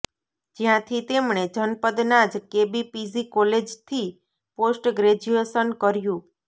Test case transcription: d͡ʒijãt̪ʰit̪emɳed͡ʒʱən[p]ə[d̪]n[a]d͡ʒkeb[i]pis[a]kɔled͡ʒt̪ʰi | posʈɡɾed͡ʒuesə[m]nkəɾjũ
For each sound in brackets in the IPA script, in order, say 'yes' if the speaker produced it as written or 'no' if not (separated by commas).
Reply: yes, yes, yes, yes, no, no